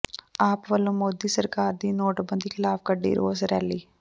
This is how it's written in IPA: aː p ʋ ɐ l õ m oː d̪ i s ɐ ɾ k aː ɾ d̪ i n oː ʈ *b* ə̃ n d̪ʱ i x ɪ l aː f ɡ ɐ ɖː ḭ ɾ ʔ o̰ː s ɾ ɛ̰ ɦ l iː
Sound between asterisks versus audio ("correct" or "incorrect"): correct